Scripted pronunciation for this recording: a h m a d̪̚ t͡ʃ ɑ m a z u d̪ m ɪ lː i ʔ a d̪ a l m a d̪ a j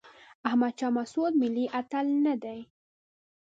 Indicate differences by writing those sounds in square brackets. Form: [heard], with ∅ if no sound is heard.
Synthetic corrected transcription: a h m a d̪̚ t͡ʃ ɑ m a [s] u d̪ m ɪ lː i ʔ a [t̪] a l [n] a d̪ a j